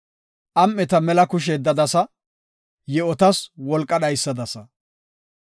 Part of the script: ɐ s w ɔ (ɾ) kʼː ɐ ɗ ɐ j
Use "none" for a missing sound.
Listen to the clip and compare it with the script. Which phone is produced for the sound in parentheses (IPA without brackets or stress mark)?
l